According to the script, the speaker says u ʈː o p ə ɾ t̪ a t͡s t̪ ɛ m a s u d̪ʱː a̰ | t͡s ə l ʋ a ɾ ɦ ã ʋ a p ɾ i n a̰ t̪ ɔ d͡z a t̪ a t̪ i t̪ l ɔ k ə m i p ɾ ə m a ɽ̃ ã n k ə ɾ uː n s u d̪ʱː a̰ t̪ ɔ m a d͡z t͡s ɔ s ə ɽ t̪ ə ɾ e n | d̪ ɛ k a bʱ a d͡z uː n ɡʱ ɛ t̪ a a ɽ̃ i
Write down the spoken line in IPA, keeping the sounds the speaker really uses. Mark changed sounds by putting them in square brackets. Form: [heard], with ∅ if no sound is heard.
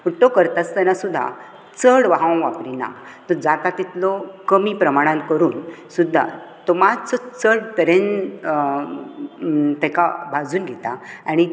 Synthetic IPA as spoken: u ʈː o [k] ə ɾ t̪ a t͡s t̪ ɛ [n] a s u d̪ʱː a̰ | t͡s ə [ɽ] ʋ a [∅] ɦ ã ʋ a p ɾ i n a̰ t̪ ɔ d͡z a t̪ a t̪ i t̪ l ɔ k ə m i p ɾ ə m a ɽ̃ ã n k ə ɾ uː n s u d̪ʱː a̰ t̪ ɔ m a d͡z t͡s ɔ [t͡s] ə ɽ t̪ ə ɾ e n | [t̪] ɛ k a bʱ a d͡z uː n ɡʱ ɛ t̪ a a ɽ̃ i